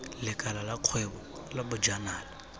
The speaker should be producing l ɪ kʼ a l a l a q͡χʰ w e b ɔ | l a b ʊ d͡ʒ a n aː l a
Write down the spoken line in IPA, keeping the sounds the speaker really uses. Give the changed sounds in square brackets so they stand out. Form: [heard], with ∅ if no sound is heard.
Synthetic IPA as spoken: l ɪ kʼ a l a l a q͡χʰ w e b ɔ | l a b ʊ d͡ʒ a n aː l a